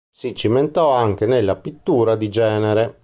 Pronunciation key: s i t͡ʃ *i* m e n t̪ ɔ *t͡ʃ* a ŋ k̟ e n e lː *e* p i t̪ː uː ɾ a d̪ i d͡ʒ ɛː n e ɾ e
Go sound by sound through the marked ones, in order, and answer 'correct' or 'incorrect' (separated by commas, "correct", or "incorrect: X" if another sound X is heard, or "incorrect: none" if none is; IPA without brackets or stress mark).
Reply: correct, incorrect: none, incorrect: a